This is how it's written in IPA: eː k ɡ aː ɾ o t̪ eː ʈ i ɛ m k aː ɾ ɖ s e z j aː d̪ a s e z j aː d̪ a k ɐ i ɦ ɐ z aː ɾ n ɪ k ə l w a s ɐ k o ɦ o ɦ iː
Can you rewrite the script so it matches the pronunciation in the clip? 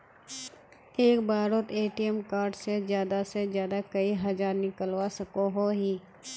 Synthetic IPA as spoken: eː k b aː ɾ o t̪ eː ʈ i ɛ m k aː ɾ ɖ s e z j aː d̪ a s e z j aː d̪ a k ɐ i ɦ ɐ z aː ɾ n ɪ k ə l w a s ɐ k o ɦ o ɦ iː